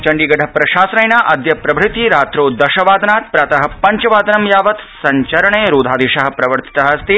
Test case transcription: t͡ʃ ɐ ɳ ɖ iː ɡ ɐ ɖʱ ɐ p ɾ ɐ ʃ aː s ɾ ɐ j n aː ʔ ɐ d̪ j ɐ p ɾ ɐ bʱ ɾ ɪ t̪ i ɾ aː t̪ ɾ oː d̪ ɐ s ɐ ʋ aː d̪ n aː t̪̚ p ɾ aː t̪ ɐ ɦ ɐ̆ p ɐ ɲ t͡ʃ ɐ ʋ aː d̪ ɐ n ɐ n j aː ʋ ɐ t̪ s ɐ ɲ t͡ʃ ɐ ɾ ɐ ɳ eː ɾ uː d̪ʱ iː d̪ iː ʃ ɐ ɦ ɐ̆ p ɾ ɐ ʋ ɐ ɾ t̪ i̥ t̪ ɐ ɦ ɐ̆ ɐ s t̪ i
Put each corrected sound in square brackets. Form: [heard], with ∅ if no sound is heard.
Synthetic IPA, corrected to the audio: t͡ʃ ɐ ɳ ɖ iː ɡ ɐ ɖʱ ɐ p ɾ ɐ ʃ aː s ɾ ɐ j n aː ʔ ɐ d̪ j ɐ p ɾ ɐ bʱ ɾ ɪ t̪ i ɾ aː t̪ ɾ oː d̪ ɐ [ʃ] ɐ ʋ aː d̪ n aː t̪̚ p ɾ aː t̪ ɐ ɦ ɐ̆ p ɐ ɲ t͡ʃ ɐ ʋ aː d̪ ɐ n ɐ [m] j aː ʋ ɐ t̪ s ɐ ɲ t͡ʃ ɐ ɾ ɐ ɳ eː ɾ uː d̪ʱ [aː] d̪ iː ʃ ɐ ɦ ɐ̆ p ɾ ɐ ʋ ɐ ɾ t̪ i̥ t̪ ɐ ɦ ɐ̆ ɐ s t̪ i